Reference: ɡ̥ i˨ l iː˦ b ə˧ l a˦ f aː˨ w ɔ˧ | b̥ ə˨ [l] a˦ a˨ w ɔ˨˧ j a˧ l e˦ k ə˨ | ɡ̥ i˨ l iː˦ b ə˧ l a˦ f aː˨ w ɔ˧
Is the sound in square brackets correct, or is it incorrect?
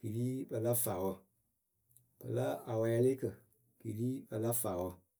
correct